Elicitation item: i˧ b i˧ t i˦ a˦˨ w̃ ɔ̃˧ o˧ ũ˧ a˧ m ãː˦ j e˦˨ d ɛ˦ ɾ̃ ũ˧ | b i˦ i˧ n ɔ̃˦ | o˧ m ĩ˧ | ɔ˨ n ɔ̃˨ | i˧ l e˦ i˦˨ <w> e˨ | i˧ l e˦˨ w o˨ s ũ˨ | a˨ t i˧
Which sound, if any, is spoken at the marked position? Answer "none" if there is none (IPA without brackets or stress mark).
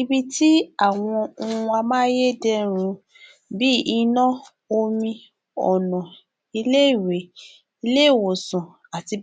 w